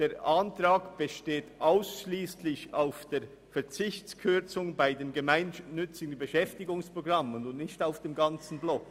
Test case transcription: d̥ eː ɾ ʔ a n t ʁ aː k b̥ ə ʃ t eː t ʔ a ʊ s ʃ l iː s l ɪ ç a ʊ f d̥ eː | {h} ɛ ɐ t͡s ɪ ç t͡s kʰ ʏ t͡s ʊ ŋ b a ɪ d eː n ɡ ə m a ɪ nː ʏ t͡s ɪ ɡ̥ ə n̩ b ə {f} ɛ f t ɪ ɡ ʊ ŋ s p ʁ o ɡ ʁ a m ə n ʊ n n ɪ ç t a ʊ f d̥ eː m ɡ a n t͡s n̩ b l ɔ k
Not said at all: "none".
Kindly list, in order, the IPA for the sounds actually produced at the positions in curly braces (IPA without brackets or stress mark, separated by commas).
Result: f, ʃ